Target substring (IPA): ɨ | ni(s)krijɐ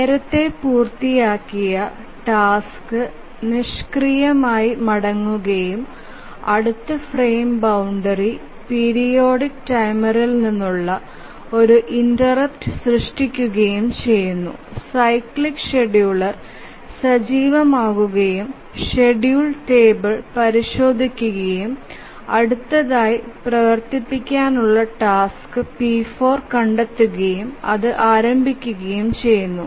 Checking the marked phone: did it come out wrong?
yes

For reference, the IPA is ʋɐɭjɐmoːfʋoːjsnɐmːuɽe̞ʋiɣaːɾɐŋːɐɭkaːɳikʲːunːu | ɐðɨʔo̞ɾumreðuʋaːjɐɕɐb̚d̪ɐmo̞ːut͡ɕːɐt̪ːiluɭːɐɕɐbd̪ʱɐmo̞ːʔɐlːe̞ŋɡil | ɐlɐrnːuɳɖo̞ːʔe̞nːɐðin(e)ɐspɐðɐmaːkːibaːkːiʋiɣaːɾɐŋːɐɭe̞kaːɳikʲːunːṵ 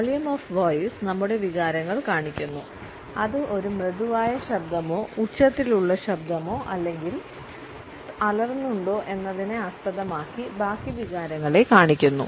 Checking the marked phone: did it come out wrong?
no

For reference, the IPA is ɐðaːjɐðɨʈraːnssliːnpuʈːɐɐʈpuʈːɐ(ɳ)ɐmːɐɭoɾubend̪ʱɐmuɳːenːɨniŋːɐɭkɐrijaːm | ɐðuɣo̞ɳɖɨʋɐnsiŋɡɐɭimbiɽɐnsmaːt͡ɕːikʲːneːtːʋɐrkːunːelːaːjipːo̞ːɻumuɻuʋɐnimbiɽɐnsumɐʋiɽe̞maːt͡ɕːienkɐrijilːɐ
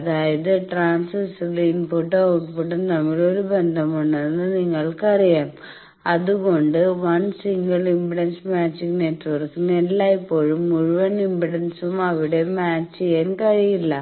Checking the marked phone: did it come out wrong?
yes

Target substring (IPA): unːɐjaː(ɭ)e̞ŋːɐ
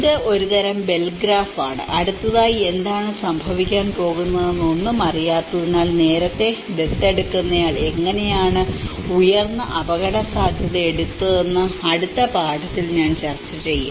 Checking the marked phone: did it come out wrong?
no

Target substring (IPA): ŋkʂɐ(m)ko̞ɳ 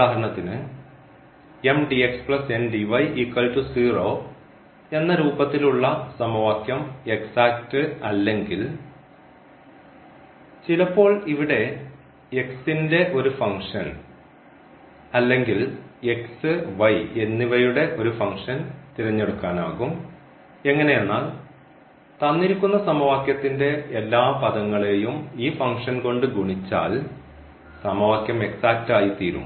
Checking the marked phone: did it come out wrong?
yes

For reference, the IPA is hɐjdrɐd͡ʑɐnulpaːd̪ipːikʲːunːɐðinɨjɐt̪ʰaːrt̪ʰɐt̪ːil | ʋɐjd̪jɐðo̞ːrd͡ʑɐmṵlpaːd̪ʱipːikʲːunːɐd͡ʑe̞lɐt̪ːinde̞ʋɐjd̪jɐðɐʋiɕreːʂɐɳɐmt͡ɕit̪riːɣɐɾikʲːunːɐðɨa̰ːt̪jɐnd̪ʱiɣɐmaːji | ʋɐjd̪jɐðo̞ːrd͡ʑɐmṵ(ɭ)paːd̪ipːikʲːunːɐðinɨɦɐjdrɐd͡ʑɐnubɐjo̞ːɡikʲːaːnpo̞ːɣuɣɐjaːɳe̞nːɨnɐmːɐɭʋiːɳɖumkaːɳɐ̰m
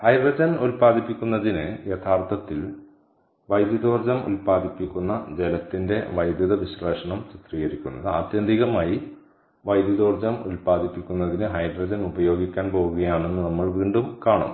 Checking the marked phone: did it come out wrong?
yes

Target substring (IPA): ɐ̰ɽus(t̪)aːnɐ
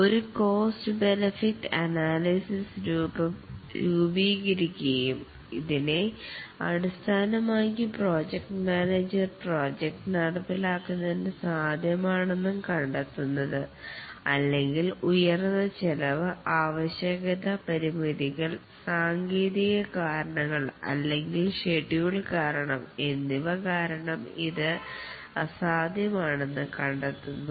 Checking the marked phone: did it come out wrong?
yes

